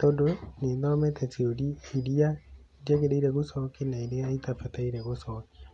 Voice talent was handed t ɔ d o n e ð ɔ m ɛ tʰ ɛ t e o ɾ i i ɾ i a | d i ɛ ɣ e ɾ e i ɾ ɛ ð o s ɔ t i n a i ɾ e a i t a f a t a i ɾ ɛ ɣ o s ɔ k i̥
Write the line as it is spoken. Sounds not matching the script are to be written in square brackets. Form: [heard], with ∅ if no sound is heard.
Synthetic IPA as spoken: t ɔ d o n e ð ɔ m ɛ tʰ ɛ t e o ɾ i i ɾ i a | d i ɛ ɣ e ɾ e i ɾ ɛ [ɣ] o s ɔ [k] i n a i ɾ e a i t a f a t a i ɾ ɛ ɣ o s ɔ k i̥